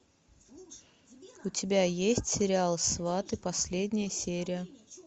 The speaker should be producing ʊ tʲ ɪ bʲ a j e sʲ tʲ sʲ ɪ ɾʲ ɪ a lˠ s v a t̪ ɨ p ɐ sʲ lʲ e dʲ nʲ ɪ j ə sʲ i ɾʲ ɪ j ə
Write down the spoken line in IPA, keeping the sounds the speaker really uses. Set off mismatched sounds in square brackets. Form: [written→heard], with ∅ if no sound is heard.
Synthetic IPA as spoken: ʊ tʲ ɪ bʲ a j e sʲ tʲ sʲ ɪ ɾʲ ɪ a lˠ s v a t̪ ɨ p ɐ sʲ lʲ e dʲ nʲ ɪ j ə sʲ [i→e] ɾʲ ɪ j ə